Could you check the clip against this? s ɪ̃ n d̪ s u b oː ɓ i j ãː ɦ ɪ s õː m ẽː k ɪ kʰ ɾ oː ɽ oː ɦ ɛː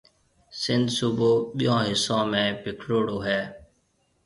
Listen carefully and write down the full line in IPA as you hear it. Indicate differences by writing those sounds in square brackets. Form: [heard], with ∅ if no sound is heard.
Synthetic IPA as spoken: s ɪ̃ n d̪ s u b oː ɓ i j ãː ɦ ɪ s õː m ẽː [p] ɪ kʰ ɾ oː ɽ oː ɦ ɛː